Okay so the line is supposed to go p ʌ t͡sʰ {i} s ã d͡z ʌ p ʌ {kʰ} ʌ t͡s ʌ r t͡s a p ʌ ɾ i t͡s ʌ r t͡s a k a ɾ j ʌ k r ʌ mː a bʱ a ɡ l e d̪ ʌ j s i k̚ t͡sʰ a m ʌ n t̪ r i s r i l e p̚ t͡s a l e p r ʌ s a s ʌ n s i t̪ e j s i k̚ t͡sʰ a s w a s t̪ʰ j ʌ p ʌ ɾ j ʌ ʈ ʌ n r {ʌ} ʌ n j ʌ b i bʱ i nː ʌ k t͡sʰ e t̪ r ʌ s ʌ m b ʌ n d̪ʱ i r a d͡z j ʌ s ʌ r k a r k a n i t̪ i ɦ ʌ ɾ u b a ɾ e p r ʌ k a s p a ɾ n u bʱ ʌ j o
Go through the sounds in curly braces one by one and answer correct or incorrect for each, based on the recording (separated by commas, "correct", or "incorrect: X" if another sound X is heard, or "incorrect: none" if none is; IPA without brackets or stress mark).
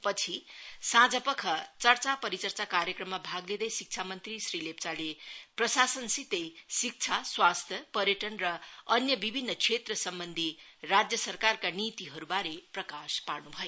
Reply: correct, correct, correct